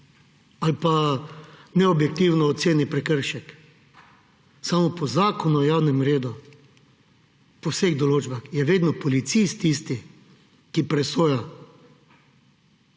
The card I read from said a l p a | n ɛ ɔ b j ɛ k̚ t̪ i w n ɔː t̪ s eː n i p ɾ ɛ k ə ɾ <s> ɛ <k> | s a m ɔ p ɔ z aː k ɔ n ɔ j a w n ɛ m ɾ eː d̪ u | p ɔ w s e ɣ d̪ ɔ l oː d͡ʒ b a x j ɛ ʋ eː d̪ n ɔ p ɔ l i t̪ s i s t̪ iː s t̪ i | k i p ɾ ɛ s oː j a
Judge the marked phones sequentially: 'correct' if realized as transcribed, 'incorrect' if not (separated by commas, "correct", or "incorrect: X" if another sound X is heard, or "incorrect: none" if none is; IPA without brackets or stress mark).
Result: incorrect: ʃ, correct